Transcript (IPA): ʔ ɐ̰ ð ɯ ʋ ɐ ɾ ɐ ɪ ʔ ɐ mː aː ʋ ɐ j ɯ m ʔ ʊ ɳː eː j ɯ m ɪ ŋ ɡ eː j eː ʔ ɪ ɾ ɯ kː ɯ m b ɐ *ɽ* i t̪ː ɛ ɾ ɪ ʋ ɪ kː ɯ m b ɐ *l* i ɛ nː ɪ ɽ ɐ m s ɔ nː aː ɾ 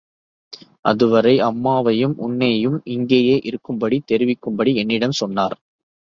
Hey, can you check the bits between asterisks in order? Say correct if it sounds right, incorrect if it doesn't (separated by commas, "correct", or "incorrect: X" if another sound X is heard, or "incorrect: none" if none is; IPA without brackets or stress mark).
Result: correct, incorrect: ɽ